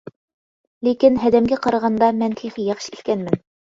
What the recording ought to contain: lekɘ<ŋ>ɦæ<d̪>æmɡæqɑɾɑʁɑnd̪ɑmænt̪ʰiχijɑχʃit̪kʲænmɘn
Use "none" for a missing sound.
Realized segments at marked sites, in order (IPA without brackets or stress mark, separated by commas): n, d̪